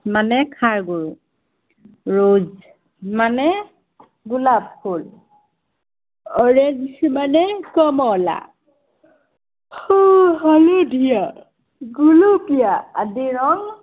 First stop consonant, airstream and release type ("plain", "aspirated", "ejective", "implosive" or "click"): aspirated